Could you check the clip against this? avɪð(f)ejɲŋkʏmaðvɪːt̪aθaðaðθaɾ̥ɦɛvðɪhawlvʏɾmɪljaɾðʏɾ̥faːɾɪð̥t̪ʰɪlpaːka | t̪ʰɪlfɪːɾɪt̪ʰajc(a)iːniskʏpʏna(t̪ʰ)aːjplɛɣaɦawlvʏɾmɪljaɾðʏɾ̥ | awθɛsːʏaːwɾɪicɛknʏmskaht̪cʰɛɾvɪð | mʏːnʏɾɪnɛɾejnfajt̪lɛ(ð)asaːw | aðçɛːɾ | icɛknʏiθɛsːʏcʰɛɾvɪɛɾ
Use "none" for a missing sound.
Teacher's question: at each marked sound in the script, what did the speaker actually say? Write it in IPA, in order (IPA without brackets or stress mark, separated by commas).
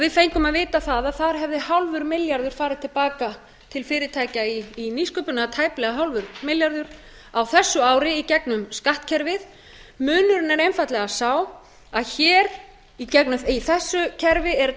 f, a, t̪ʰ, ɣ